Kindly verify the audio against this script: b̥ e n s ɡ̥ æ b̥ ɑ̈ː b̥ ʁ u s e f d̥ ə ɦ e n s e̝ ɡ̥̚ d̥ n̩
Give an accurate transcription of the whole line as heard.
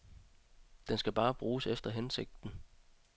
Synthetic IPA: d̥ e n s ɡ̥ æ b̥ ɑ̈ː b̥ ʁ uː s e f d̥ ɐ ɦ e n s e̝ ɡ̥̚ d̥ n̩